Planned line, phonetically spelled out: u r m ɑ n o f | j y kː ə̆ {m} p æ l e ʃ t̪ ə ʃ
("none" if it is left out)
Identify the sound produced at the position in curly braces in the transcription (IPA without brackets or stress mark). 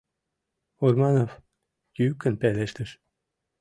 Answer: n